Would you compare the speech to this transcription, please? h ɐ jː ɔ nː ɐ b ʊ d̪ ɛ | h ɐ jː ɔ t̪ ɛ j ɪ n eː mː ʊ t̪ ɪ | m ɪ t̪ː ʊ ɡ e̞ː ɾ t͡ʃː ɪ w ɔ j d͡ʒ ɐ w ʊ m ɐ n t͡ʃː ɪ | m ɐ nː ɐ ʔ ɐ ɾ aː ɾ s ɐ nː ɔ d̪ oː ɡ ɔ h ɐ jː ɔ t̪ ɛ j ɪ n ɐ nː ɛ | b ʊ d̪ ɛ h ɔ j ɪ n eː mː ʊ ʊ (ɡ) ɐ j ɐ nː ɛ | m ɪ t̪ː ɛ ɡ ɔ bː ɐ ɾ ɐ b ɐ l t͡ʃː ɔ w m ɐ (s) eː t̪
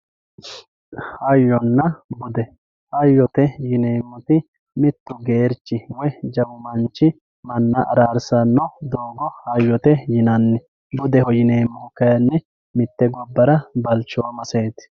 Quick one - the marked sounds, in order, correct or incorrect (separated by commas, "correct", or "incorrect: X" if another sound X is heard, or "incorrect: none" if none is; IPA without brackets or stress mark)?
incorrect: k, correct